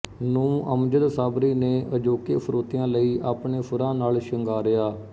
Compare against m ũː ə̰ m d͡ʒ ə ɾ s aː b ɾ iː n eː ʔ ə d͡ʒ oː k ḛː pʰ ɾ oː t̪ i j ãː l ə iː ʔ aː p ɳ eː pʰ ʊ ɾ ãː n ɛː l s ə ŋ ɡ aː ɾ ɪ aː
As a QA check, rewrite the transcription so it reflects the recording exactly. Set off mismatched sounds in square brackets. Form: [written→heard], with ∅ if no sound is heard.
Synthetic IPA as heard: [m→n] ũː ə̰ m d͡ʒ ə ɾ s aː b ɾ iː n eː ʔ ə d͡ʒ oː k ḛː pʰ ɾ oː t̪ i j ãː l ə iː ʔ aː p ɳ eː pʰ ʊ ɾ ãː n [ɛː→aː] l [s→ʃ] ə ŋ ɡ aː ɾ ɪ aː